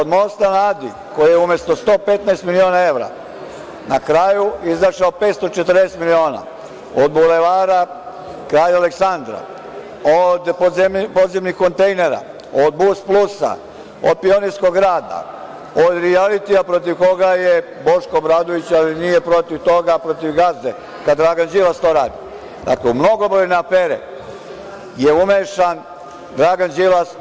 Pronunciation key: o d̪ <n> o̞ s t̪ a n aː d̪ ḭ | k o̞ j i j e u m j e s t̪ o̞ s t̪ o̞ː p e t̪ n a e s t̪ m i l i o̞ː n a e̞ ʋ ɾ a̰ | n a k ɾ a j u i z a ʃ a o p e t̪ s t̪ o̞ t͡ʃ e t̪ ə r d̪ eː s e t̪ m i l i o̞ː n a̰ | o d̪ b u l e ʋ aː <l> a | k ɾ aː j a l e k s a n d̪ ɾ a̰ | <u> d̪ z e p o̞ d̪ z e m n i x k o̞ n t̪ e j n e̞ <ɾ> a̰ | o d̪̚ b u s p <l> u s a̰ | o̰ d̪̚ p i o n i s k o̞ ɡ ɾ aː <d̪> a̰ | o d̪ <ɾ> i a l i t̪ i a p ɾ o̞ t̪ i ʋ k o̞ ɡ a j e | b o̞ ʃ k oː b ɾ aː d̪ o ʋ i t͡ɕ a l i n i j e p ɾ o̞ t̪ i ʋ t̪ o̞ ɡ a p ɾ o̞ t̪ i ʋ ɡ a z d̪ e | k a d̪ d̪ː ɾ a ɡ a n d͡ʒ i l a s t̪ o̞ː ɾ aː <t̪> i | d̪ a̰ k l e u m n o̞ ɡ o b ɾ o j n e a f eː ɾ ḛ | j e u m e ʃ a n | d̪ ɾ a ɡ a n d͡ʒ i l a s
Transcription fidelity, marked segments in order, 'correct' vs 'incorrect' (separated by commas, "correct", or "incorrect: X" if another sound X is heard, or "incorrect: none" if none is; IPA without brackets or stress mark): incorrect: m, incorrect: ɾ, incorrect: o, correct, correct, correct, correct, incorrect: d̪